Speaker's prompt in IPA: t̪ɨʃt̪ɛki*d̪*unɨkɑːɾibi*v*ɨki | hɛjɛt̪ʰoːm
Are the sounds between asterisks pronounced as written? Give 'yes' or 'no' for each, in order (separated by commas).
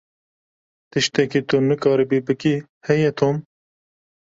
no, no